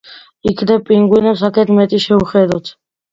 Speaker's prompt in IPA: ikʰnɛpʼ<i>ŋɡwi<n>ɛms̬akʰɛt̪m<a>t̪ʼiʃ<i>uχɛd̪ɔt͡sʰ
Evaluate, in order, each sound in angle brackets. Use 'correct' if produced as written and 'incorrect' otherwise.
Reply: correct, correct, incorrect, incorrect

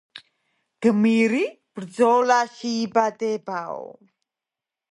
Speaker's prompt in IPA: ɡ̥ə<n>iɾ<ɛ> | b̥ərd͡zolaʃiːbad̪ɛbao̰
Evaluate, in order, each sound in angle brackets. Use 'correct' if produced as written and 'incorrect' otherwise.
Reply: incorrect, incorrect

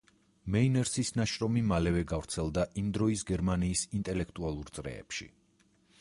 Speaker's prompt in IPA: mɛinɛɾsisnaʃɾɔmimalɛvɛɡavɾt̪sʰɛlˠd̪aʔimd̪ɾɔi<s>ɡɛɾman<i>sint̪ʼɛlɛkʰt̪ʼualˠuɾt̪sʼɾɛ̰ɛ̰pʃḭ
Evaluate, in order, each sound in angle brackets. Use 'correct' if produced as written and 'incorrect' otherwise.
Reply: correct, incorrect

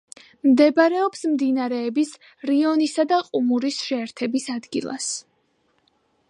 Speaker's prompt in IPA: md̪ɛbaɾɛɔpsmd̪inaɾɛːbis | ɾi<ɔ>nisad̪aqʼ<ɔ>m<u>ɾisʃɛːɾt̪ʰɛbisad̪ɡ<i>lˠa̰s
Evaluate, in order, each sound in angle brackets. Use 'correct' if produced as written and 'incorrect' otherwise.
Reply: correct, incorrect, correct, correct

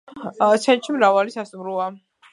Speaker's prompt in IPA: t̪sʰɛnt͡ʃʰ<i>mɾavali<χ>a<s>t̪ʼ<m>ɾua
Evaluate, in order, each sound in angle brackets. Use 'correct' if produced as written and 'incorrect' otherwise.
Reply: correct, incorrect, correct, correct

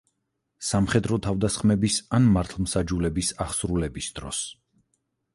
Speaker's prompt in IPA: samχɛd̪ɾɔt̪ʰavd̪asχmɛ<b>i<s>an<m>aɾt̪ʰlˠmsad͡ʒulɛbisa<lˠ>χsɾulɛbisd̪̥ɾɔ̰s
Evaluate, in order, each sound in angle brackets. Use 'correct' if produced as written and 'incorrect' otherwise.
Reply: correct, correct, correct, incorrect

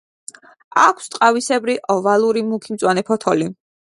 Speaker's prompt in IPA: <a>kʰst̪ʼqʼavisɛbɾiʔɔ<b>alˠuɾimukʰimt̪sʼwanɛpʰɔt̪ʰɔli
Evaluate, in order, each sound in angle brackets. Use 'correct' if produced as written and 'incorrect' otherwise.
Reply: correct, incorrect

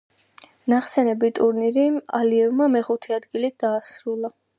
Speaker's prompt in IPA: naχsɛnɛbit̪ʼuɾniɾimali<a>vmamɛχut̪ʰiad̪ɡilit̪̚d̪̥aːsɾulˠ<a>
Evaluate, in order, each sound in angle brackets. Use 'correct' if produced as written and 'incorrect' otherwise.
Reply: incorrect, correct

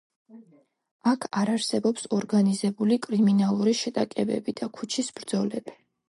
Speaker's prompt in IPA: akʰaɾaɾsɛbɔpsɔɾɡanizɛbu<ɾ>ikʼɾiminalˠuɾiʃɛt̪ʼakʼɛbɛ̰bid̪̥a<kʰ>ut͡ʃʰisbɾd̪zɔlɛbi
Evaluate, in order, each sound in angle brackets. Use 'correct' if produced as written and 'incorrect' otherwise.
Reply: incorrect, correct

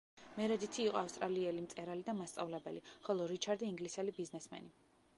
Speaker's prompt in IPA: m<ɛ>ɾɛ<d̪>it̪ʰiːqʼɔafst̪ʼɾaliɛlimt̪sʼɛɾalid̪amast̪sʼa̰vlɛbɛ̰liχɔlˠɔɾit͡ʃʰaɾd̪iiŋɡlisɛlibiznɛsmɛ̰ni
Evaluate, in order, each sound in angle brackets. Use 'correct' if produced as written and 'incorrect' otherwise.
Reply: correct, correct

